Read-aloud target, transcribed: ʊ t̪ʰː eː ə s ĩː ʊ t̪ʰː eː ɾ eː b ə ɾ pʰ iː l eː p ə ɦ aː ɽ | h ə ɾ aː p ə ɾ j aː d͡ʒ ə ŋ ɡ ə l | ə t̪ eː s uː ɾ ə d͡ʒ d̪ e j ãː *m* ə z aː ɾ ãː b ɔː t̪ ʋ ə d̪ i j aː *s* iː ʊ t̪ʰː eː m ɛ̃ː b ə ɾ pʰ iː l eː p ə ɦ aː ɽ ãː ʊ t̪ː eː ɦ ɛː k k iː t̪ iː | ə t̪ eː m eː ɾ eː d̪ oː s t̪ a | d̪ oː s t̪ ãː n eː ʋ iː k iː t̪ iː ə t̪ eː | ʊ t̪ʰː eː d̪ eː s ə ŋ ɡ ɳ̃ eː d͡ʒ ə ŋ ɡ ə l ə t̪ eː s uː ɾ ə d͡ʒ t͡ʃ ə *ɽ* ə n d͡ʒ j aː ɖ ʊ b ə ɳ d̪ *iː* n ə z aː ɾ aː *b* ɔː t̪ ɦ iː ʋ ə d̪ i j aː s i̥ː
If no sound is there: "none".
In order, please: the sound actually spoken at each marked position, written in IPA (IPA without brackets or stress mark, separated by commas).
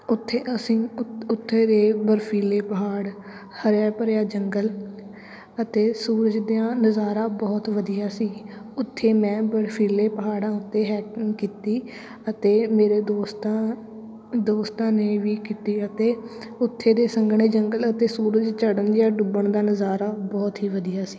n, s, ɽ, aː, b